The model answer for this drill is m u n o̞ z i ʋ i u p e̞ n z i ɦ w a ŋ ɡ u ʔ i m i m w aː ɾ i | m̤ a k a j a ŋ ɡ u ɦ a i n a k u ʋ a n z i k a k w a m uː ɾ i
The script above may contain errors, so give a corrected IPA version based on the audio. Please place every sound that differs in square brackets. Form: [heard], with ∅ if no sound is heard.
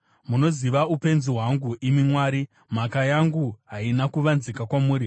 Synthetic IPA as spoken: m u n o̞ z i ʋ [a] u p e̞ n z i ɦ w a ŋ ɡ u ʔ i m i m w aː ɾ i | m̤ a k a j a ŋ ɡ u ɦ a i n a k u ʋ a n z i k a k w a m uː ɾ i